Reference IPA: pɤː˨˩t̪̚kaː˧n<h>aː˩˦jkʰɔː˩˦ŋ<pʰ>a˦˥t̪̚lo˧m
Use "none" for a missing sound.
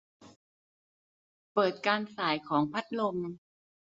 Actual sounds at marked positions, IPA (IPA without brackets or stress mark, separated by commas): s, pʰ